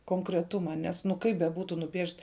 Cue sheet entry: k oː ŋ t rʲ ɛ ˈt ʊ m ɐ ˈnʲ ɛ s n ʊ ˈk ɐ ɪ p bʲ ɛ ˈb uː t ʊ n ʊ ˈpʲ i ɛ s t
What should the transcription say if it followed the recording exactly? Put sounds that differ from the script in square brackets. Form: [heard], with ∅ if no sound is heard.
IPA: k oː ŋ [k] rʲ ɛ ˈt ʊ m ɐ ˈnʲ ɛ s n ʊ ˈk ɐ ɪ p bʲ ɛ ˈb uː t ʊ n ʊ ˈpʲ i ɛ [ʃ] t